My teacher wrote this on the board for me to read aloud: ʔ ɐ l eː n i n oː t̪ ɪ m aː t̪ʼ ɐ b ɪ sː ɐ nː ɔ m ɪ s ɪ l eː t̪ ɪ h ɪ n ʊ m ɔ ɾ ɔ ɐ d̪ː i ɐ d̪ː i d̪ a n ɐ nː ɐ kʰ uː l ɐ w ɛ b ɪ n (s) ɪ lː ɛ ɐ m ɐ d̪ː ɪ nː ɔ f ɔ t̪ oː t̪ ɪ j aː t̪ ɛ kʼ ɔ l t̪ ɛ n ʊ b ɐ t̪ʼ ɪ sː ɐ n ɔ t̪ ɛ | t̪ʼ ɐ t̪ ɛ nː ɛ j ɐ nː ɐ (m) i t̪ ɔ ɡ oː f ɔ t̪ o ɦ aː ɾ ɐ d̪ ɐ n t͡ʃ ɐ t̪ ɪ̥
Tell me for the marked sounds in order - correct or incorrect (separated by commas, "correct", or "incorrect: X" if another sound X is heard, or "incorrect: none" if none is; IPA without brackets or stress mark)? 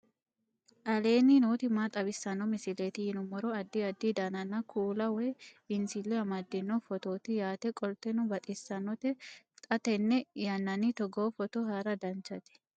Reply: correct, incorrect: n